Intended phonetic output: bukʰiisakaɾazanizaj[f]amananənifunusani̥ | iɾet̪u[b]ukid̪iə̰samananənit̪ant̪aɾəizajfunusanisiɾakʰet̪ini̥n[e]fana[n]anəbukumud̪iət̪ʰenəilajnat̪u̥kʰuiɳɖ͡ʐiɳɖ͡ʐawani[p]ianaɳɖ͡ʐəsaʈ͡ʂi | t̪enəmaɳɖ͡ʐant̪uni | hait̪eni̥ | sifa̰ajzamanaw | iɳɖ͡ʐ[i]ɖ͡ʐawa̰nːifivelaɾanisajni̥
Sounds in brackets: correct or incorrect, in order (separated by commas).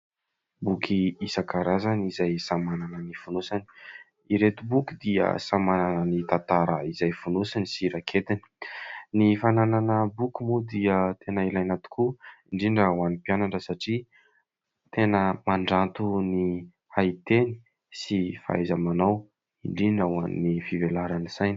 incorrect, correct, incorrect, correct, correct, correct